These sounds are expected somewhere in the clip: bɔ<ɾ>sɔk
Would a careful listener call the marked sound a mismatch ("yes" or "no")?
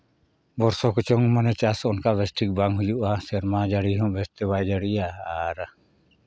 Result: no